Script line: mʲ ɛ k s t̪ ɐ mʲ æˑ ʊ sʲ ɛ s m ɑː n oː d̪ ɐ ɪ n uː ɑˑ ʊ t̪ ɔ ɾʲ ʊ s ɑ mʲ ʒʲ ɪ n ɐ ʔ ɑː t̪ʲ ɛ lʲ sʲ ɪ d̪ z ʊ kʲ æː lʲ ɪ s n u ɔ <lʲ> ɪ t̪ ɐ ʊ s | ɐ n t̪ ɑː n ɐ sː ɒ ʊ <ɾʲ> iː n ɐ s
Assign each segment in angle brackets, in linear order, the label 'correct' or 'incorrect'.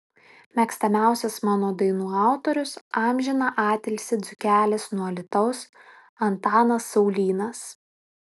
correct, incorrect: lʲ

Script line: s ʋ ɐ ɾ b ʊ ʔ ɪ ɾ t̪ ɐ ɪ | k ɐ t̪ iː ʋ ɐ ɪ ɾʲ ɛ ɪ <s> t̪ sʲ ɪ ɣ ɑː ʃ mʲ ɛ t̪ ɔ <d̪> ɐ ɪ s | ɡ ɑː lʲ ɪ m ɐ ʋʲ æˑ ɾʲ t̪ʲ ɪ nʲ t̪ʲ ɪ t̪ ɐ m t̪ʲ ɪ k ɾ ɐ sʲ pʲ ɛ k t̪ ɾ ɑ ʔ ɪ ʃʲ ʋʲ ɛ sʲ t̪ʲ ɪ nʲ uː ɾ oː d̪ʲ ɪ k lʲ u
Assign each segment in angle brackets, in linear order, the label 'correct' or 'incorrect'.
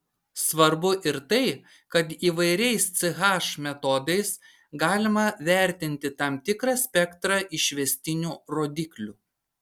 correct, correct

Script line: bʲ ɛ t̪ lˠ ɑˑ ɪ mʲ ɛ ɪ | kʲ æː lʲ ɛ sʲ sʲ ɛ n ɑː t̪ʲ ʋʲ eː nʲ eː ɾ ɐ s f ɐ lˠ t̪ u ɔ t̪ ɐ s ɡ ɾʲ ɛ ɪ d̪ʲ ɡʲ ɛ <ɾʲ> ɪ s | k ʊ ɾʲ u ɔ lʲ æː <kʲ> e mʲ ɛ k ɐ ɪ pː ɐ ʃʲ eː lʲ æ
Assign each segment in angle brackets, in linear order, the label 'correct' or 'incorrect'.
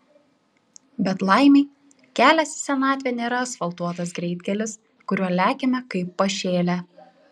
incorrect: lʲ, correct

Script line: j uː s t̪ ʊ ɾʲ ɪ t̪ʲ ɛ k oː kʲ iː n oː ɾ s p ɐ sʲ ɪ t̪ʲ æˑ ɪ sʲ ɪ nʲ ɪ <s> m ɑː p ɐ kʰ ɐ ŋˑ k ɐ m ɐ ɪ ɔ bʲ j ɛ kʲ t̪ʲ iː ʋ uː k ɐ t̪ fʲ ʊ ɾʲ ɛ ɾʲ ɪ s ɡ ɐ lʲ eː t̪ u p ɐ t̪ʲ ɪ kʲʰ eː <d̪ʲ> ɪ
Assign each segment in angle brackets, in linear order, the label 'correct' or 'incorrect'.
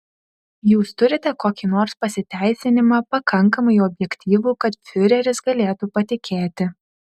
incorrect: none, incorrect: t̪ʲ

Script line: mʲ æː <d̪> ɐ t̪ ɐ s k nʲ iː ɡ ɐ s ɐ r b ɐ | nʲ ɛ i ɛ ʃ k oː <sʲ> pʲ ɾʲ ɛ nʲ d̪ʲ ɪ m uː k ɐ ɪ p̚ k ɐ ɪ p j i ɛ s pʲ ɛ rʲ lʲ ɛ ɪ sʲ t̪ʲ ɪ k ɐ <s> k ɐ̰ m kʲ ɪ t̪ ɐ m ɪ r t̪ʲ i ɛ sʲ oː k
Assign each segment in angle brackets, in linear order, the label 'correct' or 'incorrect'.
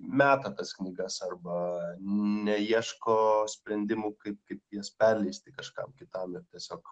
incorrect: t̪, correct, incorrect: ʃ

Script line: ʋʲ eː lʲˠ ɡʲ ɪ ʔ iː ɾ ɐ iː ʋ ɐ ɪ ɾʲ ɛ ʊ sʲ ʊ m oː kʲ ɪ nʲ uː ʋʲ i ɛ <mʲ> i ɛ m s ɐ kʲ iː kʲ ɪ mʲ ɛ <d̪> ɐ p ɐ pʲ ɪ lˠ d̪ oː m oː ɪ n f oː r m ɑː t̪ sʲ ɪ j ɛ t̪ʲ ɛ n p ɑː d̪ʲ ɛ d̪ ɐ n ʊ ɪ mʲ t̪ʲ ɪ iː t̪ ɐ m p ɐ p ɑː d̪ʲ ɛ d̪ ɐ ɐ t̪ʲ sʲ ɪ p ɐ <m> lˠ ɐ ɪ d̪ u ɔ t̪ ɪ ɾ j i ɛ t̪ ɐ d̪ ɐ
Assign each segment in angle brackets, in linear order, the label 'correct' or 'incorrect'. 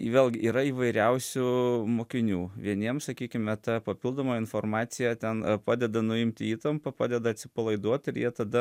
incorrect: nʲ, incorrect: t̪, incorrect: none

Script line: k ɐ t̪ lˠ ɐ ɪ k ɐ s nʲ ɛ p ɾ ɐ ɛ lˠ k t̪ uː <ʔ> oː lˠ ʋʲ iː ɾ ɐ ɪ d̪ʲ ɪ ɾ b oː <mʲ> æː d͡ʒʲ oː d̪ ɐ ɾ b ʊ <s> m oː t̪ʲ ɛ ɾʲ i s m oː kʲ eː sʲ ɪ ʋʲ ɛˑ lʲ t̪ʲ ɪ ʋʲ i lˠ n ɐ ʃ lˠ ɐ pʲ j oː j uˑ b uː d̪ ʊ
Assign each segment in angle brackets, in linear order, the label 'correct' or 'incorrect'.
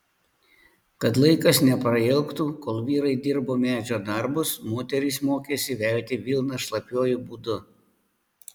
incorrect: k, correct, correct

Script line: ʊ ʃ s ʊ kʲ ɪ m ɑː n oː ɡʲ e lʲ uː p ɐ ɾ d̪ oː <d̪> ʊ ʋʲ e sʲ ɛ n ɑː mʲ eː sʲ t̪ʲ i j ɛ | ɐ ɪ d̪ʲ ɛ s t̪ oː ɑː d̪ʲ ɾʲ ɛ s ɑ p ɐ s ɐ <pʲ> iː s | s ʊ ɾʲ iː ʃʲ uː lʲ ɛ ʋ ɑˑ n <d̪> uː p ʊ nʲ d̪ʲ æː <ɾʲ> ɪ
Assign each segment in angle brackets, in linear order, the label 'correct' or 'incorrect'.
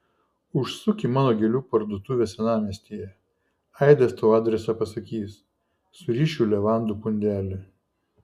incorrect: t̪, incorrect: kʲ, correct, incorrect: lʲ

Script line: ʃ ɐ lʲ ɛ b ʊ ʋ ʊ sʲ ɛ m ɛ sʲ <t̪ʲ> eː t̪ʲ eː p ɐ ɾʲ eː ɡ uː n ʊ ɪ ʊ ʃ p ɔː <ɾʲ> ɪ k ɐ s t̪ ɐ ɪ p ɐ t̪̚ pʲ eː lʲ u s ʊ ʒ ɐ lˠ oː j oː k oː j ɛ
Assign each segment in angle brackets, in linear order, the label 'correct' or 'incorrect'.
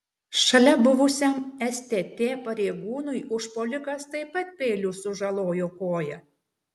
correct, incorrect: lʲ

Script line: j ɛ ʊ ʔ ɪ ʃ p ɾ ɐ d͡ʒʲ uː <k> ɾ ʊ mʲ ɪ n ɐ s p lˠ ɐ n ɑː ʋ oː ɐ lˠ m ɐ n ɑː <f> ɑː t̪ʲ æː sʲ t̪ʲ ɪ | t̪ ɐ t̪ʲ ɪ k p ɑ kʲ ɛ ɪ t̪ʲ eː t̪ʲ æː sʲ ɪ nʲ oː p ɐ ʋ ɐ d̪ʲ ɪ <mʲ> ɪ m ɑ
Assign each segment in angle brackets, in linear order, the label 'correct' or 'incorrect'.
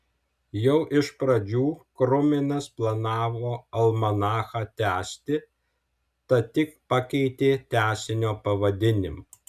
correct, incorrect: x, incorrect: nʲ

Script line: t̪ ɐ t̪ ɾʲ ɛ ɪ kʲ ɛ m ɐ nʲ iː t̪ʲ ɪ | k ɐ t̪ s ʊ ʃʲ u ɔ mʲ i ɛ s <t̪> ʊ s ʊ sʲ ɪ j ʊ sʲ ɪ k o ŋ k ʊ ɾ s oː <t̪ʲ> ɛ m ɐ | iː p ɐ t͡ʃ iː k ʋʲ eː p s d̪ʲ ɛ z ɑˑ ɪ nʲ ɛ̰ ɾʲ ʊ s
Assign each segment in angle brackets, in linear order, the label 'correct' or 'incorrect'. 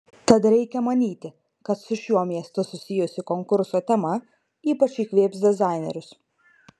correct, correct

